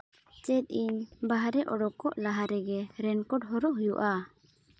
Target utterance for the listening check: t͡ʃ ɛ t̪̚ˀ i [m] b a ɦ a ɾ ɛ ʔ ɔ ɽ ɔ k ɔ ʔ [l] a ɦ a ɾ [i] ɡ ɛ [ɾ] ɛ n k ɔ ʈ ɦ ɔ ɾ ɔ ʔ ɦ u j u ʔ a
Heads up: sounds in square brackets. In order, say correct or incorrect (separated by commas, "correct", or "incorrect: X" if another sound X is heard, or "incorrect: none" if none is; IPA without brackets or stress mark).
incorrect: ɲ, correct, incorrect: ɛ, correct